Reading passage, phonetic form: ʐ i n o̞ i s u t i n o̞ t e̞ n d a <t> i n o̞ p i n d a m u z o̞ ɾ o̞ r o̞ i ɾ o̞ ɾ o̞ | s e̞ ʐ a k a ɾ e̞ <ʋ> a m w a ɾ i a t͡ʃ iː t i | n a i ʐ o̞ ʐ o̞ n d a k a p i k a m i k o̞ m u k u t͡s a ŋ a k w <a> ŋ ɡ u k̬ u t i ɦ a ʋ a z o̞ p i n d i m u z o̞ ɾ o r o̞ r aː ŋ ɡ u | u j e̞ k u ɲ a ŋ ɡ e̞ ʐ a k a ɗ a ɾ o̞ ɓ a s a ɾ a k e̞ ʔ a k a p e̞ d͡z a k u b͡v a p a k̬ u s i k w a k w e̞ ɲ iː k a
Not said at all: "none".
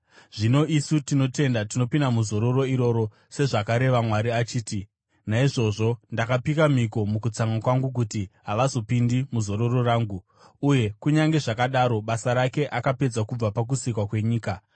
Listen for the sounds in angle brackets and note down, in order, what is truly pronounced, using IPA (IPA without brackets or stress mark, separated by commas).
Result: t, ʋ, a